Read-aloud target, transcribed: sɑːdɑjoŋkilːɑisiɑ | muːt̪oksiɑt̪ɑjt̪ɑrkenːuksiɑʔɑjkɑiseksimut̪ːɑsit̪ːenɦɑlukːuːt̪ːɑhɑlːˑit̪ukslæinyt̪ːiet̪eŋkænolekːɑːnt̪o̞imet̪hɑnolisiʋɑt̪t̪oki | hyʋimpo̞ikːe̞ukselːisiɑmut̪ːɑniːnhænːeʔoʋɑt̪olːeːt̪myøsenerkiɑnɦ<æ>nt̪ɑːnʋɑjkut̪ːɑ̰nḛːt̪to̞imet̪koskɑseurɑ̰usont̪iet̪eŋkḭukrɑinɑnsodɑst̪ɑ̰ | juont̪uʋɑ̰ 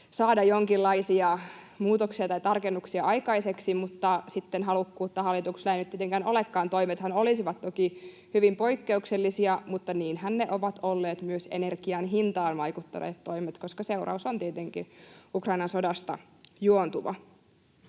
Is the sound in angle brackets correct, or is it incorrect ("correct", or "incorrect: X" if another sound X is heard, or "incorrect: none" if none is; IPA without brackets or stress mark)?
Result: incorrect: i